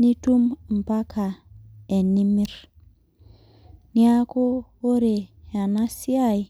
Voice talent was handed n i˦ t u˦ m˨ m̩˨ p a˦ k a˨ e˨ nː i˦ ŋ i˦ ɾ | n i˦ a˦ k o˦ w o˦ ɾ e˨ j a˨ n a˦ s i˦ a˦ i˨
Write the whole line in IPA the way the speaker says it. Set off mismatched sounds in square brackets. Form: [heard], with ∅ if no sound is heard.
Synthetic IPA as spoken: n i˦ t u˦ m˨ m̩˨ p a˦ k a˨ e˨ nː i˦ [m] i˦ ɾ | n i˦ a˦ k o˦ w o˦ ɾ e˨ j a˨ n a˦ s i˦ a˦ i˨